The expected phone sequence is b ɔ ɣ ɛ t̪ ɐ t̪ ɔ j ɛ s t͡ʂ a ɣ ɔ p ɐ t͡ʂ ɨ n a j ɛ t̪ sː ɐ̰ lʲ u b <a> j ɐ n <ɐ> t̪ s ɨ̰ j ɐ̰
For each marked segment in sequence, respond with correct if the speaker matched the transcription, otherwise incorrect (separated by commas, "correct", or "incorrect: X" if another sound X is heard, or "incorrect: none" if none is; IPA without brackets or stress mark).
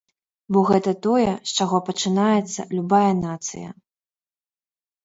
correct, incorrect: a